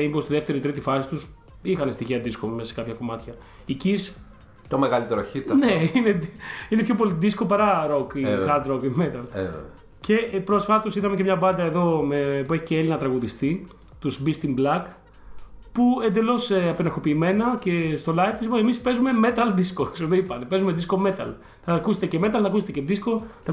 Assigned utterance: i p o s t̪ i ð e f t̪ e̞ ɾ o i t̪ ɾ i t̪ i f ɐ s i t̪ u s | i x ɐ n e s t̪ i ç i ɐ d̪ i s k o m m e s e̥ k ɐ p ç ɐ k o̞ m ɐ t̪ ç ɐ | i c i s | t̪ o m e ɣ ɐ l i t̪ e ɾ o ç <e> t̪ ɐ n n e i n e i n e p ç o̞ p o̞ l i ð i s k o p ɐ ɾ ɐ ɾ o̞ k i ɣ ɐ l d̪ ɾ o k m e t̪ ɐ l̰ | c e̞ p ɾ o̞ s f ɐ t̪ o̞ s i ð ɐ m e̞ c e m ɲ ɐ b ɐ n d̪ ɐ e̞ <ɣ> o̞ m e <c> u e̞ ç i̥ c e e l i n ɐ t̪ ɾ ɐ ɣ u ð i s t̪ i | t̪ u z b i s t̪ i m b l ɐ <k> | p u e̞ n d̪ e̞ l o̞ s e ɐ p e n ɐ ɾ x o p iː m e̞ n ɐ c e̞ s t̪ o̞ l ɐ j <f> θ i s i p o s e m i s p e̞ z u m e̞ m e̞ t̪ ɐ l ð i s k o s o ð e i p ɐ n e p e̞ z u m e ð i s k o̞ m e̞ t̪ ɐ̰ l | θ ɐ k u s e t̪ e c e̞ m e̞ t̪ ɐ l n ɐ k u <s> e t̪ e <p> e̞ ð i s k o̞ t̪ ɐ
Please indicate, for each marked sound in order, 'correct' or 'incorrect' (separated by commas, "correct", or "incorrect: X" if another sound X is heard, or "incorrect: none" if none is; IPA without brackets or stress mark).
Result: incorrect: i, incorrect: ð, incorrect: p, correct, correct, correct, incorrect: c